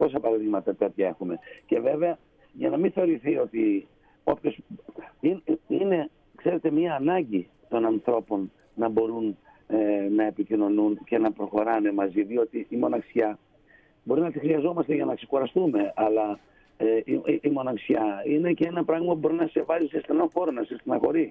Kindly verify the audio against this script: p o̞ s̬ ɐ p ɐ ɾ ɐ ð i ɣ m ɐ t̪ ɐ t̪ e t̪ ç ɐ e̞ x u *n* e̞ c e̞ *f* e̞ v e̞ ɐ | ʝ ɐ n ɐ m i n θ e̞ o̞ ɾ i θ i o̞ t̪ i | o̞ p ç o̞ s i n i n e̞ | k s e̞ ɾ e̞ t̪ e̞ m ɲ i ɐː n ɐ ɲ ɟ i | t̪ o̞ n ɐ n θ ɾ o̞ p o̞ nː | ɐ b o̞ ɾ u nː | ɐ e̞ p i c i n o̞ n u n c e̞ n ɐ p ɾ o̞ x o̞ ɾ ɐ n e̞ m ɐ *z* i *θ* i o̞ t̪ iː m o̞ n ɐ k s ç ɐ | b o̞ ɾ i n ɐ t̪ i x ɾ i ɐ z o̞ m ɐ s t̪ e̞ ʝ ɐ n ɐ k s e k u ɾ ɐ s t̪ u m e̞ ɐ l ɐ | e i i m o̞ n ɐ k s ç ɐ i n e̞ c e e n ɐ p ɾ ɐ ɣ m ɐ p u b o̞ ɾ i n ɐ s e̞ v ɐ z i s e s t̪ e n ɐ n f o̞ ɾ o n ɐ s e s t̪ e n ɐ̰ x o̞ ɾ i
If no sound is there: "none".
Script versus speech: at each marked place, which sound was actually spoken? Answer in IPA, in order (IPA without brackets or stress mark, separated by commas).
m, v, z, ð